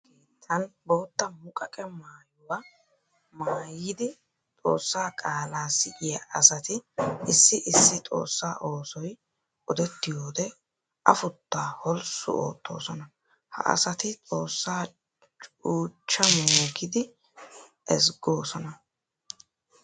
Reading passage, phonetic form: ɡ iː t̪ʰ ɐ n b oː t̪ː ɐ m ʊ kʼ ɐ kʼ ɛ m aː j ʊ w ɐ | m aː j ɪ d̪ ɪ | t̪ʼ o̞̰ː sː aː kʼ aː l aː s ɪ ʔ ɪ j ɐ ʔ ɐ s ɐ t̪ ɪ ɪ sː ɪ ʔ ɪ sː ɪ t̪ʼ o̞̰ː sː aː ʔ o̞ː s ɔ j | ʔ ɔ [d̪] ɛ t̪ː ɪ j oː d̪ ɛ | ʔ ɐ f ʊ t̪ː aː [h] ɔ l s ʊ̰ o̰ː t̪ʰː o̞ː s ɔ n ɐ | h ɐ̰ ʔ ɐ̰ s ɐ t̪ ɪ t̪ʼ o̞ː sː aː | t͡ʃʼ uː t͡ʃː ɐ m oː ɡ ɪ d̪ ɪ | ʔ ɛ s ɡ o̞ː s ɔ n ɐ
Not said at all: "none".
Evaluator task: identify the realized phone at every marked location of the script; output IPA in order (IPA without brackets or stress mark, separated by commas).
d̪, h